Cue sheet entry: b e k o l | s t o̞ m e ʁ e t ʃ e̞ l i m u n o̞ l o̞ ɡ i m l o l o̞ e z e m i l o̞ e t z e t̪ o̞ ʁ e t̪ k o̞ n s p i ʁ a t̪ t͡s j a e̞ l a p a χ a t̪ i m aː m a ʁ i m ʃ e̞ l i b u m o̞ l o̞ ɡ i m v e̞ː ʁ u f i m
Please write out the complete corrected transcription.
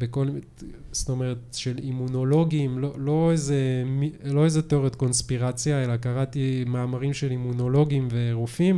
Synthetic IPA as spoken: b e k o l | s t o̞ m e ʁ e t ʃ e̞ l i m u n o̞ l o̞ ɡ i m l o l o̞ e z e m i l o̞ e z e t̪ o̞ ʁ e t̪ k o̞ n s p i ʁ a t͡s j a e̞ l a k a ʁ a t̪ i m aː m a ʁ i m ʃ e̞ l i m u n o̞ l o̞ ɡ i m v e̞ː ʁ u f i m